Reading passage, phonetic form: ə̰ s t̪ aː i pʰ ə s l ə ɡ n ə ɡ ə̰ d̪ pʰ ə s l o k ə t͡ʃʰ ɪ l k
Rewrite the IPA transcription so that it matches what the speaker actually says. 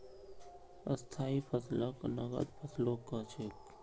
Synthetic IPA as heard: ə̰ s t̪ʰ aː i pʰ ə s l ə k n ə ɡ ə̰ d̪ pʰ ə s l o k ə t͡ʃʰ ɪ k